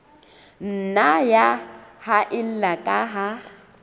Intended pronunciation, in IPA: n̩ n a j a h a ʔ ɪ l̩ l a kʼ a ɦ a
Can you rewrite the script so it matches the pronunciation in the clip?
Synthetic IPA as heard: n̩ n a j a h a ʔ ɪ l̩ l a kʼ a ɦ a